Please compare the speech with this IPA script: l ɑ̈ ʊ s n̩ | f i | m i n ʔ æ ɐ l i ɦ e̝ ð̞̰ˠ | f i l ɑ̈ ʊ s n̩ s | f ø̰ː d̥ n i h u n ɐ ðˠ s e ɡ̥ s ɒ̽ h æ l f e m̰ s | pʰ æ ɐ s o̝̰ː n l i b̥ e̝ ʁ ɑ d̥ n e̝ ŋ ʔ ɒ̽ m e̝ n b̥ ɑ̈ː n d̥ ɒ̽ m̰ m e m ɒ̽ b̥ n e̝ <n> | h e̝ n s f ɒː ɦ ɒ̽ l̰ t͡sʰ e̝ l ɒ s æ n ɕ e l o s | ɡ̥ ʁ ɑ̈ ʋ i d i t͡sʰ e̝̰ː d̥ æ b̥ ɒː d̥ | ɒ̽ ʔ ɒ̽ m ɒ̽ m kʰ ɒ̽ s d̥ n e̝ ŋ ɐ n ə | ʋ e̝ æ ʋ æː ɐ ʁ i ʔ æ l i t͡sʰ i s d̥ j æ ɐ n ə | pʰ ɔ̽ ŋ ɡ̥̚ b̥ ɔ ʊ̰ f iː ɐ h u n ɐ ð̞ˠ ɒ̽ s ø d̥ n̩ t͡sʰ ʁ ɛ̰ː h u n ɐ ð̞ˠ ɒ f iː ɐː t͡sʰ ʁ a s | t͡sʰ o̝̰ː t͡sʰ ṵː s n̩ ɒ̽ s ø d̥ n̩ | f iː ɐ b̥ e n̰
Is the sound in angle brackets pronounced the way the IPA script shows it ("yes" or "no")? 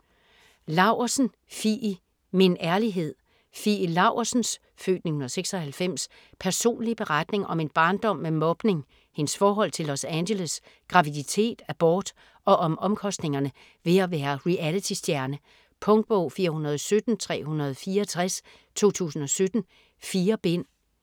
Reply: no